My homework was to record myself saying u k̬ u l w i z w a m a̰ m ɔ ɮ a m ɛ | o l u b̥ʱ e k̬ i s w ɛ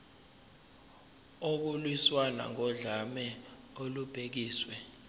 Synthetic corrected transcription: o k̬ u l w i s w a n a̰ ŋ ɔ ɮ a m ɛ | o l u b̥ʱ e k̬ iː s w ɛ